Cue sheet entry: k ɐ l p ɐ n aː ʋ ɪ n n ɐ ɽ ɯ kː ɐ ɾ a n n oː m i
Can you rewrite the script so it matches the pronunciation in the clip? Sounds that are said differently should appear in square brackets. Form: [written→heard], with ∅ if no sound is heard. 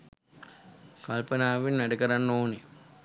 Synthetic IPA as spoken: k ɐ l p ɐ n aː ʋ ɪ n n ɐ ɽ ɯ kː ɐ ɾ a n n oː [m→n] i